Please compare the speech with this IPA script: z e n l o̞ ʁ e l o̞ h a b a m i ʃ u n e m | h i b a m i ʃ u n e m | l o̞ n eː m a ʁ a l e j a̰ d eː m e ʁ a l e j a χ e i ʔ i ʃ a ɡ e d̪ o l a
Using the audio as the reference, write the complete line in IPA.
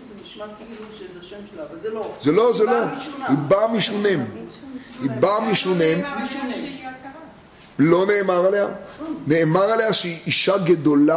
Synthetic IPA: z e l o̞ z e l o̞ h i b a m i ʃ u n e m | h i b a m i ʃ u n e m | l o̞ n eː m a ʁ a l e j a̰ n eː m a ʁ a l e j a ʃ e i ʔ i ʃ a ɡ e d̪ o l a